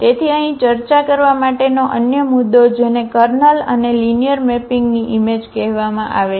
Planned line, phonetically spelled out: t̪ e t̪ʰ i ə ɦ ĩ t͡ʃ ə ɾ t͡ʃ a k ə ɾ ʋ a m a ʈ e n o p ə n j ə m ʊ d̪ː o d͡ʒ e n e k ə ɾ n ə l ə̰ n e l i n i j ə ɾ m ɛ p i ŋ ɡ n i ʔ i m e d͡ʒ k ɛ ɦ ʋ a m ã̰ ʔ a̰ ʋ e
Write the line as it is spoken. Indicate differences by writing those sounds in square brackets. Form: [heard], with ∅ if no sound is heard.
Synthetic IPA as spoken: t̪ e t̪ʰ i ə ɦ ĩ t͡ʃ ə ɾ t͡ʃ a k ə ɾ ʋ a m a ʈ e n o [ʔ] ə n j ə m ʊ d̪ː o d͡ʒ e n e k ə ɾ n ə l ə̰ n e l i n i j ə ɾ m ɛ p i ŋ ɡ n i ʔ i m e d͡ʒ k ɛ ɦ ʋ a m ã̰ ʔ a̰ ʋ e